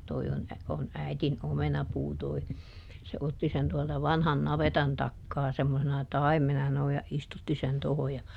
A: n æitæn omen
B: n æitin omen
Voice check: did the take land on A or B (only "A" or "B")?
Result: B